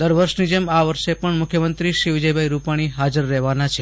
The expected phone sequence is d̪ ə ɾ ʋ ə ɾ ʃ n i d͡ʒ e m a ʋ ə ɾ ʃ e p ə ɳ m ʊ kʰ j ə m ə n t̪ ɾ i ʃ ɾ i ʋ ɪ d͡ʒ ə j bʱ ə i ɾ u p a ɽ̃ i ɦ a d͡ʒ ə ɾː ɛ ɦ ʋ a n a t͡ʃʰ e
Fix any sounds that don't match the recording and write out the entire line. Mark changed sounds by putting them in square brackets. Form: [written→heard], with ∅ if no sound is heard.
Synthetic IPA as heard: d̪ ə ɾ ʋ ə ɾ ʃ n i d͡ʒ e m a ʋ ə ɾ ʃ e p ə ɳ m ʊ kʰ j ə m ə n t̪ ɾ i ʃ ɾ i ʋ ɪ d͡ʒ ə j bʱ [ə→a] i ɾ u p a ɽ̃ i ɦ a d͡ʒ ə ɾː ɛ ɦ ʋ a n a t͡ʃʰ e